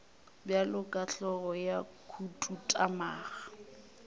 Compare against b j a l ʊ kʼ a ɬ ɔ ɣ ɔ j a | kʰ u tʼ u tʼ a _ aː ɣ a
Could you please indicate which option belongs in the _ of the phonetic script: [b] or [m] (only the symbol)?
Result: m